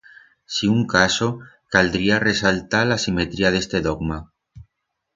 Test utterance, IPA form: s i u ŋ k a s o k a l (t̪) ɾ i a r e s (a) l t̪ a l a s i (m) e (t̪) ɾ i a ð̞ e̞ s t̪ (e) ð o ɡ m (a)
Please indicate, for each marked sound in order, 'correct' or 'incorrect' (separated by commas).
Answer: incorrect, correct, correct, correct, correct, correct